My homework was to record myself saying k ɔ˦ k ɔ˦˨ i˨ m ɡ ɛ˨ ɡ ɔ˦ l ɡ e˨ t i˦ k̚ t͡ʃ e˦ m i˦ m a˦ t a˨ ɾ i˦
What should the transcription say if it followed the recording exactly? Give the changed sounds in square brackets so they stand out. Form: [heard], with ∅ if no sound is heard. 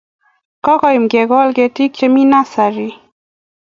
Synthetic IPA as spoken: k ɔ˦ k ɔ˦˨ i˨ m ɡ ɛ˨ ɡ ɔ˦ l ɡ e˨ t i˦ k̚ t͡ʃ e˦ m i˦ [n] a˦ [s] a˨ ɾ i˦